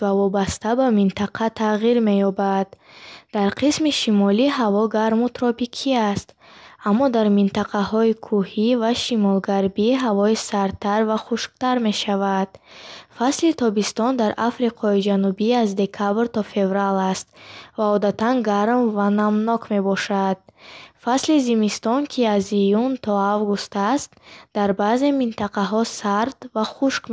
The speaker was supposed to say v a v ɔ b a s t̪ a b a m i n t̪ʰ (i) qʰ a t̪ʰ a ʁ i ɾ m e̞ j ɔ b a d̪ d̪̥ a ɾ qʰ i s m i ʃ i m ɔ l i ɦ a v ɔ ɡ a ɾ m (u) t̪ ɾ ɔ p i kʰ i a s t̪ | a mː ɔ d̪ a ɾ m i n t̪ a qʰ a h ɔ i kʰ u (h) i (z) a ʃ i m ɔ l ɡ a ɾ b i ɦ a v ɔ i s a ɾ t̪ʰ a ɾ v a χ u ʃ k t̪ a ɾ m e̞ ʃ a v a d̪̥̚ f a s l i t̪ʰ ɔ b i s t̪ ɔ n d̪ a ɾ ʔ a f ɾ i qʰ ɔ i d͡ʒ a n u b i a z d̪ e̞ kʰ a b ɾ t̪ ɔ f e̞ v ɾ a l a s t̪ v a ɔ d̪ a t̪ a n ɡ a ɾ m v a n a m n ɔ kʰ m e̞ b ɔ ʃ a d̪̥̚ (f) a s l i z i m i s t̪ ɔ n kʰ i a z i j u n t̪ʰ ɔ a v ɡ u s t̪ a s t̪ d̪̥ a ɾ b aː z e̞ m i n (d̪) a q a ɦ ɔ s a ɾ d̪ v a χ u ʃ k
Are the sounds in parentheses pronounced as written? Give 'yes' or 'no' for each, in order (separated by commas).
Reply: no, yes, yes, no, yes, no